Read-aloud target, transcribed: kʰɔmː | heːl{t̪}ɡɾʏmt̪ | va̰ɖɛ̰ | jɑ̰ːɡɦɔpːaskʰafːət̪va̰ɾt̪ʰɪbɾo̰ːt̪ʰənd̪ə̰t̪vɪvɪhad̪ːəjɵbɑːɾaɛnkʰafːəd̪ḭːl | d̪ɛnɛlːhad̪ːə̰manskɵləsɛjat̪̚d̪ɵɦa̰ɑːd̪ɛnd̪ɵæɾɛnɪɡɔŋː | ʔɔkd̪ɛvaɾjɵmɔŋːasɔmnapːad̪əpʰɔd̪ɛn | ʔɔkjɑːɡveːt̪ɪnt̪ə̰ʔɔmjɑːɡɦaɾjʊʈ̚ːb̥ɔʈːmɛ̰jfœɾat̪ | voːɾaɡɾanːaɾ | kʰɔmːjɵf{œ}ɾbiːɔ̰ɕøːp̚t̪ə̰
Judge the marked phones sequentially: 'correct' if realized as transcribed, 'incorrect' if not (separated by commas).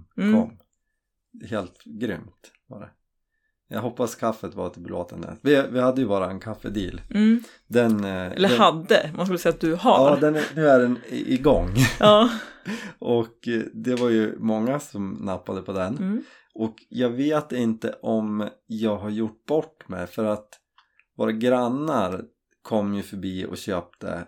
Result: correct, correct